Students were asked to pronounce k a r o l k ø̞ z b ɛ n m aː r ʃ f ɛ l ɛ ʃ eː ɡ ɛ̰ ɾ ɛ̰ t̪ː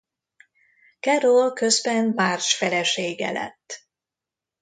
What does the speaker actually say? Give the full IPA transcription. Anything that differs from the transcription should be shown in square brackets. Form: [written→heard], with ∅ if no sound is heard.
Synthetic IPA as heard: k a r o l k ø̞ z b ɛ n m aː r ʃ f ɛ l ɛ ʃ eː ɡ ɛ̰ [ɾ→l] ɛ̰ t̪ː